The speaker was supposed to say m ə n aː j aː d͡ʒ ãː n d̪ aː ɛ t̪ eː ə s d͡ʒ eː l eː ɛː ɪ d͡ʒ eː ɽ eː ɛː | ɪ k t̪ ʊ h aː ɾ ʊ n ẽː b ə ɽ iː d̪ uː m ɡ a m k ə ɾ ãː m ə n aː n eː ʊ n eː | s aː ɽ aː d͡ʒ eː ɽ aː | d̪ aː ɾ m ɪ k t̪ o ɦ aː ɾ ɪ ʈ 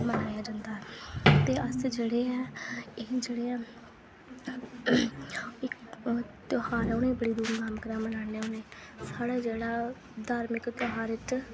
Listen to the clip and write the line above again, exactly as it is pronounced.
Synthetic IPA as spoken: m ə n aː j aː d͡ʒ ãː n d̪ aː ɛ t̪ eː ə s d͡ʒ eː ɽ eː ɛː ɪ d͡ʒ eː ɽ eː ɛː | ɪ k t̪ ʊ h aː ɾ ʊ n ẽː b ə ɽ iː d̪ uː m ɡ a m k ə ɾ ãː m ə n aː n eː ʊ n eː | s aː ɽ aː d͡ʒ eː ɽ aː | d̪ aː ɾ m ɪ k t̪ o ɦ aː ɾ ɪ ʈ